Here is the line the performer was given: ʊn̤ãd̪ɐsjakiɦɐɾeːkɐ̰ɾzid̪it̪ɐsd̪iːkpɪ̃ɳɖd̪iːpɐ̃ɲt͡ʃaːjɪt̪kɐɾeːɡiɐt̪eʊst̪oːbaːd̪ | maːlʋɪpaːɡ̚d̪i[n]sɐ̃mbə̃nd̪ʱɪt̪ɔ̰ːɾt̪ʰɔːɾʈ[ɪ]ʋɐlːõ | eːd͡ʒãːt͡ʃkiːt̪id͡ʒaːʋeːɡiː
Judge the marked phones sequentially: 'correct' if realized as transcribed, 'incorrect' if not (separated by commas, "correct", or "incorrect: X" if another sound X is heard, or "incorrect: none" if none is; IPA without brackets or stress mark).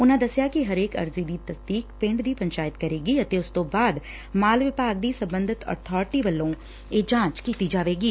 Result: incorrect: none, incorrect: i